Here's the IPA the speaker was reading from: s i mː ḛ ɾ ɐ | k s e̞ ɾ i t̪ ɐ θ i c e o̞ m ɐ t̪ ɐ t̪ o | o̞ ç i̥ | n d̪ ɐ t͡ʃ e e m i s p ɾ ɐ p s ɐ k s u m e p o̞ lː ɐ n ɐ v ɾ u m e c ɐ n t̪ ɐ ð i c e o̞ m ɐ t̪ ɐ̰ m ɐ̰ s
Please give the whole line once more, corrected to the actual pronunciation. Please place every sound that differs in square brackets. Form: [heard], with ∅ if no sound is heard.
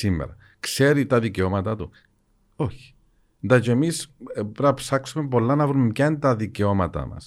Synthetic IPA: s i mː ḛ ɾ ɐ | k s e̞ ɾ i t̪ ɐ [ð] i c e o̞ m ɐ t̪ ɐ t̪ [u] | o̞ ç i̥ | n d̪ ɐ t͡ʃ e e m i s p ɾ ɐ p s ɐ k s u m e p o̞ lː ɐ n ɐ v ɾ u m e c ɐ n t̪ ɐ ð i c e o̞ m ɐ t̪ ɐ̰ m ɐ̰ s